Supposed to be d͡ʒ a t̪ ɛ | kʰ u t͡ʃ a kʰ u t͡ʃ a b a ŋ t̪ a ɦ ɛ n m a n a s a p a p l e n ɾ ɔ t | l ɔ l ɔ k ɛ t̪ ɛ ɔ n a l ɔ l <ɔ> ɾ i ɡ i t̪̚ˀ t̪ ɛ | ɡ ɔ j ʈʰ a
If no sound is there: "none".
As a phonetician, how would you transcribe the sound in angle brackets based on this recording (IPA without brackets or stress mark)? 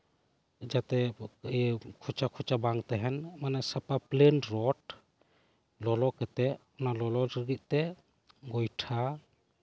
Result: ɔ